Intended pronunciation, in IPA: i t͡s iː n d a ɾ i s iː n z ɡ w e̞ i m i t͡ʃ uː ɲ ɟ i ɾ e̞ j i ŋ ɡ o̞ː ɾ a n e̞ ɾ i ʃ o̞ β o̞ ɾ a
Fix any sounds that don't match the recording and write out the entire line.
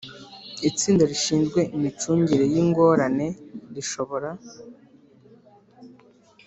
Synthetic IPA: i t͡s iː n d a ɾ i ʃ iː n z ɡ w e̞ i m i t͡ʃ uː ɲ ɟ i ɾ e̞ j i ŋ ɡ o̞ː ɾ a n e̞ ɾ i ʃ o̞ β o̞ ɾ a